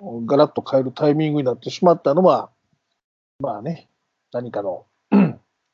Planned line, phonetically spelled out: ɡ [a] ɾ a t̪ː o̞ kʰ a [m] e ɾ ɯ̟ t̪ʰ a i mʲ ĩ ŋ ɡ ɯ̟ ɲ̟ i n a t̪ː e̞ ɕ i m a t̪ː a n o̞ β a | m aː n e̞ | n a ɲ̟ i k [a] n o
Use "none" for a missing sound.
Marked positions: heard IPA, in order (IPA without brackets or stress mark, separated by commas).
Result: a, none, a